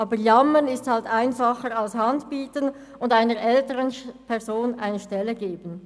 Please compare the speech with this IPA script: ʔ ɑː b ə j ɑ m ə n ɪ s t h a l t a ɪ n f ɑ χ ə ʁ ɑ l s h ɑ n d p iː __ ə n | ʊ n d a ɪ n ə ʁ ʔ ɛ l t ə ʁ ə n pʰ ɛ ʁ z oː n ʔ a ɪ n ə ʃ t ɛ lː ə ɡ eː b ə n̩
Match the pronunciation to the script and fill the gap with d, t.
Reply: t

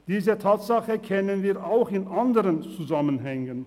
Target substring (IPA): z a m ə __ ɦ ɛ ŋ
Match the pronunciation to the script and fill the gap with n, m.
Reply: n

